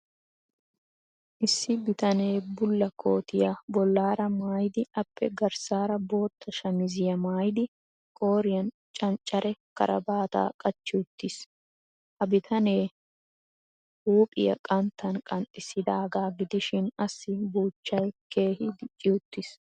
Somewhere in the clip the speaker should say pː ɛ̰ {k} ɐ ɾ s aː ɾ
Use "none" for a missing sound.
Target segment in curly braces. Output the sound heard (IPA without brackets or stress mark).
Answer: ɡ